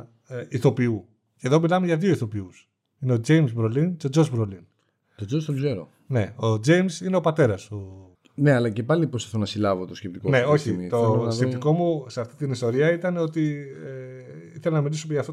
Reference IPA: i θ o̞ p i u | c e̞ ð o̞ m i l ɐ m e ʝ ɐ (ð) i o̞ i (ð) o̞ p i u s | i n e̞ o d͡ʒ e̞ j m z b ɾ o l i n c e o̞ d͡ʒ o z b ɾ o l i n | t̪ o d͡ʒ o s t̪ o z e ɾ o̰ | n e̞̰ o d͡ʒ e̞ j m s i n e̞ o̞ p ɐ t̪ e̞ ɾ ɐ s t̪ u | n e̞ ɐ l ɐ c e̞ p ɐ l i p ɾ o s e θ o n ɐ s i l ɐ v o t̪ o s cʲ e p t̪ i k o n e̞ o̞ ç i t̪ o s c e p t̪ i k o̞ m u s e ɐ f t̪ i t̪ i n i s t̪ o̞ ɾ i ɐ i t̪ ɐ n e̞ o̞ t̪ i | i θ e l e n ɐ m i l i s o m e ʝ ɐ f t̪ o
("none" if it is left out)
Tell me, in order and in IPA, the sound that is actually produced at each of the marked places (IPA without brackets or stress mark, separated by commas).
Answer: ð, θ